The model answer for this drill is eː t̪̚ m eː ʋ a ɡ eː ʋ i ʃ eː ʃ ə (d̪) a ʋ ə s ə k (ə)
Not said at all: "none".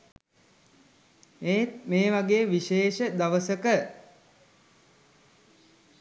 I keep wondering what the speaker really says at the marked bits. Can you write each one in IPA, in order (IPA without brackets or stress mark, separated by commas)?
d̪, ə